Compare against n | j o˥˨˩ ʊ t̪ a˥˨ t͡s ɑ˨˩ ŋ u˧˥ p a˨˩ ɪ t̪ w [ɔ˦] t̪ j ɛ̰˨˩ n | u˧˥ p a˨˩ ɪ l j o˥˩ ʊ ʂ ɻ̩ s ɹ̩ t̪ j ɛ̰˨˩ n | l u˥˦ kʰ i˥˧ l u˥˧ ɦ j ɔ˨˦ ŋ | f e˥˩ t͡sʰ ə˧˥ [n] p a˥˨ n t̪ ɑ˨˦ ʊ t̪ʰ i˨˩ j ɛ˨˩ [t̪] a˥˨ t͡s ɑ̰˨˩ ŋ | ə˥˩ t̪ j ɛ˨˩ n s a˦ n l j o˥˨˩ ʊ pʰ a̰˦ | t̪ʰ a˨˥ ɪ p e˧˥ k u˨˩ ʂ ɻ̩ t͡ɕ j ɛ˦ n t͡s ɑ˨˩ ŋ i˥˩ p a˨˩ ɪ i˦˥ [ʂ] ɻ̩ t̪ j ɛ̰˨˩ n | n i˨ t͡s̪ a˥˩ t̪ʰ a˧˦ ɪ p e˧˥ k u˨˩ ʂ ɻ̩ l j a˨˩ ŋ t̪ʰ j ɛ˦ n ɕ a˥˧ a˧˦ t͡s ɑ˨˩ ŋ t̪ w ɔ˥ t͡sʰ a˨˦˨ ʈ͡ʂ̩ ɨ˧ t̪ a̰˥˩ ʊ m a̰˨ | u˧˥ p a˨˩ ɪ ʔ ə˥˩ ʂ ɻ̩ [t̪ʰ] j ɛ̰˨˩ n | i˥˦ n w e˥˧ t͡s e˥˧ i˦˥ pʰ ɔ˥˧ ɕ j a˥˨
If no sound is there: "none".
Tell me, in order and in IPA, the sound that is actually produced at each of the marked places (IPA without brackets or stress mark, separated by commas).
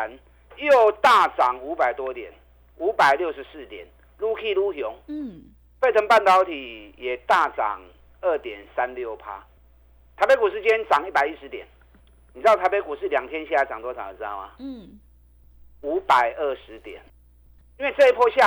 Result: ɔ˦, ŋ, t̪, ʂ, t̪